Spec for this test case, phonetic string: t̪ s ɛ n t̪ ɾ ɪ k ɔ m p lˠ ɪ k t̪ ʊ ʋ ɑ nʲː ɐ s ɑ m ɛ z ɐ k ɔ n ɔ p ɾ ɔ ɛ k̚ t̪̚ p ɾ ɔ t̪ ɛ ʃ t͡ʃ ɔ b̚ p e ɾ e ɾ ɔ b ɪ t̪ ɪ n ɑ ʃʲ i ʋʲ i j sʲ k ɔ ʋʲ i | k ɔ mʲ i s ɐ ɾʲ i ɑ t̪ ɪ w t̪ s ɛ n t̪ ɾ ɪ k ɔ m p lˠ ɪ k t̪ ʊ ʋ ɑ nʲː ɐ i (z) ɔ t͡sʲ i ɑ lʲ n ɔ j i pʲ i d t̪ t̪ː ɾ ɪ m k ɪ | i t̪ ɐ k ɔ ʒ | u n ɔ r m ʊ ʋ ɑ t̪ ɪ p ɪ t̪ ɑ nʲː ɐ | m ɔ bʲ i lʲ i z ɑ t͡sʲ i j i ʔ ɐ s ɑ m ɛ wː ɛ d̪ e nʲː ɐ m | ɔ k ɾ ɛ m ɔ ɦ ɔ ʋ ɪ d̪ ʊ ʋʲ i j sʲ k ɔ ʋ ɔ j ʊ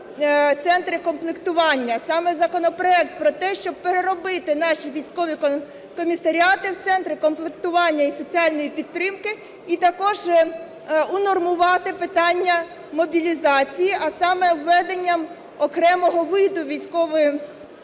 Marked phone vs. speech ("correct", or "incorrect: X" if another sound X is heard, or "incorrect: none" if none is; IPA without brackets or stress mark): incorrect: s